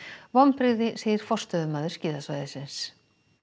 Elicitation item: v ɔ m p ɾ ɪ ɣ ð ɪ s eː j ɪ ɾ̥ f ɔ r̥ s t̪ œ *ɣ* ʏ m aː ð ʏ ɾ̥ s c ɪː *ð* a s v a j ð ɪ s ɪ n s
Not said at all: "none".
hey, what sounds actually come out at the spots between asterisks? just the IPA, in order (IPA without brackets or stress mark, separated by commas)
ð, ð